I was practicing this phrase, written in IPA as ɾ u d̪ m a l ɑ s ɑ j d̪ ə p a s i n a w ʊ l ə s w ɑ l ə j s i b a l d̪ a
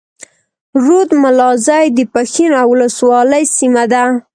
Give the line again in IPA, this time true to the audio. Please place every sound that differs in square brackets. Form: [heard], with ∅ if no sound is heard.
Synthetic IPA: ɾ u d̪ m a l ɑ [z] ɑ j d̪ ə p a [x] i n a w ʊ l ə s w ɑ l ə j s i [m] a [∅] d̪ a